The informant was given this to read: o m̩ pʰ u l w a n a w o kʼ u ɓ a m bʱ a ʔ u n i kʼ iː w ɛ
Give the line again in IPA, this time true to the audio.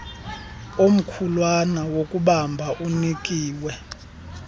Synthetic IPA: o m̩ kʰ u l w a n a w o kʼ u ɓ a m bʱ a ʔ u n i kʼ iː w ɛ